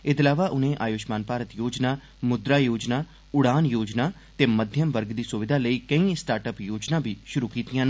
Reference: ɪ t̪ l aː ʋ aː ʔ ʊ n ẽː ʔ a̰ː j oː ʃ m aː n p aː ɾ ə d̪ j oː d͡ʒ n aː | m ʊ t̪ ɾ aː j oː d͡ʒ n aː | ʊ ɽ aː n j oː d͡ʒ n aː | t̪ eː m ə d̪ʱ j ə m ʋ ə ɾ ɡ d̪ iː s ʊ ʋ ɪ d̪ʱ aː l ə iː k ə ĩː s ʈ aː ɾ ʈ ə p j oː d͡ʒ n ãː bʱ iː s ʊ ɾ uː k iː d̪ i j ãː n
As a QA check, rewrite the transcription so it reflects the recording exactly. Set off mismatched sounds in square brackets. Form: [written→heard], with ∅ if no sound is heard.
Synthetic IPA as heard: ɪ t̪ l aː ʋ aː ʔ ʊ n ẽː ʔ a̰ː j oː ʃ m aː n p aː ɾ ə [d̪→t̪] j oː d͡ʒ n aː | m ʊ [t̪→d̪] ɾ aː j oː d͡ʒ n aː | ʊ ɽ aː n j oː d͡ʒ n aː | t̪ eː m ə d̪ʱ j ə m ʋ ə ɾ ɡ d̪ iː s ʊ ʋ ɪ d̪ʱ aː l ə iː k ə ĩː s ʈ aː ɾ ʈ ə p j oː d͡ʒ n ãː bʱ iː [s→ʃ] ʊ ɾ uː k iː [d̪→t̪] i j ãː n